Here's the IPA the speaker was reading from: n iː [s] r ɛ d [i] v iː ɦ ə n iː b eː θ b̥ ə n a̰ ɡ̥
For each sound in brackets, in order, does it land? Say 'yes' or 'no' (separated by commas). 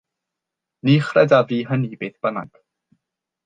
no, no